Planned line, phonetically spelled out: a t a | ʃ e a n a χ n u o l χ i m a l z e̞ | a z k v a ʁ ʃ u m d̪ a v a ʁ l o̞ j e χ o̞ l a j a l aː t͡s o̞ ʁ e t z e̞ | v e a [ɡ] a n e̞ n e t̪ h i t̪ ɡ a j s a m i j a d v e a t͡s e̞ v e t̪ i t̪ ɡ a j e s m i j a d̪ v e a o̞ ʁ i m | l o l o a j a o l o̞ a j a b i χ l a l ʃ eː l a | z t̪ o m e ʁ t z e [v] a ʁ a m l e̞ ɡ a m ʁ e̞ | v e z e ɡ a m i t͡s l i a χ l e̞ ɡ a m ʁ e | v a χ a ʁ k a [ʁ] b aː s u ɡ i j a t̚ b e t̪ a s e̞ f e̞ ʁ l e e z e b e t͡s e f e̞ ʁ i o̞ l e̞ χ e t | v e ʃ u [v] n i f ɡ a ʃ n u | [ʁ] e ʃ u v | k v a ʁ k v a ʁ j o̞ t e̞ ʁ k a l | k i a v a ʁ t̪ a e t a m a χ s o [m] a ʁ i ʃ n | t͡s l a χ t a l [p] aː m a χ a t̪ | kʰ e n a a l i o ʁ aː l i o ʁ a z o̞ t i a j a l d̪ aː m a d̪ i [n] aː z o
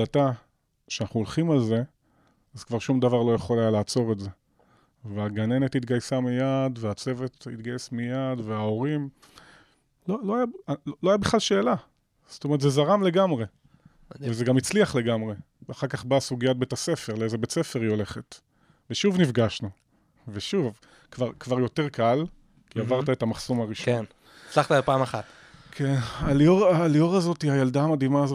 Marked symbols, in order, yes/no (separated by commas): yes, no, no, yes, no, yes, yes, no